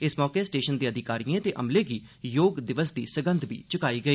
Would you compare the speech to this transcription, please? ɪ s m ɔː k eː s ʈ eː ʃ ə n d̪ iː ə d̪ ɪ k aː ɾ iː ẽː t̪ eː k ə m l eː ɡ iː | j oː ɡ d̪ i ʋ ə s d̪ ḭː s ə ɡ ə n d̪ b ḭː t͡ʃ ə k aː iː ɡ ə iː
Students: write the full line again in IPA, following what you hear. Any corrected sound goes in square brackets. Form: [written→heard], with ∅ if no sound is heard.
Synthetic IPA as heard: ɪ s m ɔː k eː s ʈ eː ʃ ə n d̪ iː ə d̪ ɪ k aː ɾ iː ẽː t̪ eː [k→ʔ] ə m l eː ɡ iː | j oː ɡ d̪ [i→ɪ] ʋ ə s d̪ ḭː s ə ɡ ə n d̪ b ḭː t͡ʃ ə k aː iː ɡ ə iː

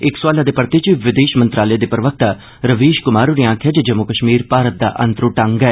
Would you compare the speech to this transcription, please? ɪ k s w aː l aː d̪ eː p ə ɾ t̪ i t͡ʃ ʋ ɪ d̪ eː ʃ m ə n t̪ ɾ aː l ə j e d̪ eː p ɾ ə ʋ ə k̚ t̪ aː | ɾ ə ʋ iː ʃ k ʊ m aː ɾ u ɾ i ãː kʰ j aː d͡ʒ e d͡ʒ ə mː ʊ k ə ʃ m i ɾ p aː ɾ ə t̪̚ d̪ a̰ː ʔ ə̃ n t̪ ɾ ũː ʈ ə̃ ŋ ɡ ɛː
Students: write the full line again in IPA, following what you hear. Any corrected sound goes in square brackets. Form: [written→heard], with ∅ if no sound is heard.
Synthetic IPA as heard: ɪ k s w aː l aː d̪ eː p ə ɾ t̪ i t͡ʃ ʋ ɪ d̪ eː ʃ m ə n t̪ ɾ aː l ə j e d̪ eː p ɾ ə ʋ ə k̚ t̪ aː | ɾ ə ʋ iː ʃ k ʊ m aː ɾ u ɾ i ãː kʰ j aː d͡ʒ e d͡ʒ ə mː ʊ k ə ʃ m [i→iː] ɾ p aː ɾ ə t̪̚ d̪ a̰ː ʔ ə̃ n t̪ ɾ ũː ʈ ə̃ ŋ ɡ ɛː

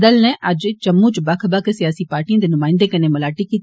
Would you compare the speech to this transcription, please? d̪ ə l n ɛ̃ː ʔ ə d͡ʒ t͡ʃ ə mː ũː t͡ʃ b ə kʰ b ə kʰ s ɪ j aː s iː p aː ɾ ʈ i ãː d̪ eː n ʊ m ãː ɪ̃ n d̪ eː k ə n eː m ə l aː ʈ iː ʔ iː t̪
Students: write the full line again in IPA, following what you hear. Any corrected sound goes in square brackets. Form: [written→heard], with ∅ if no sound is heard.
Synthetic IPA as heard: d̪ ə l n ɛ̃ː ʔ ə d͡ʒ t͡ʃ ə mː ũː t͡ʃ b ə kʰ b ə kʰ s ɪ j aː s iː p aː ɾ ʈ i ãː d̪ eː n ʊ m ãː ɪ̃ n d̪ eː k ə n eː m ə l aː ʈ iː [ʔ→k] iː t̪

